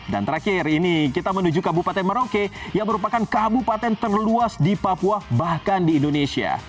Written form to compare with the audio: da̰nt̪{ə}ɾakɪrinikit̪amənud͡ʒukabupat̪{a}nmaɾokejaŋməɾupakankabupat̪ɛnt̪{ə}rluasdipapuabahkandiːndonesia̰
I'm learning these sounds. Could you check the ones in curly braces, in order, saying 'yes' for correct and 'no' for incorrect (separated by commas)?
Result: yes, no, yes